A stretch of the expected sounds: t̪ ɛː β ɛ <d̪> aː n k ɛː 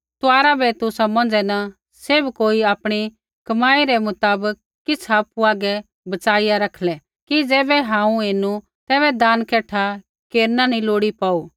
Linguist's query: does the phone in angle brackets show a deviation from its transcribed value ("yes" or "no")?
no